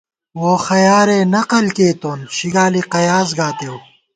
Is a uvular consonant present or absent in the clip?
present